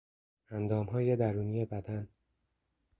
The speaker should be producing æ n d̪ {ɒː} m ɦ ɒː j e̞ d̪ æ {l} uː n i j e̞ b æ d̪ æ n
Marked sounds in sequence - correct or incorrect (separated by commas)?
correct, incorrect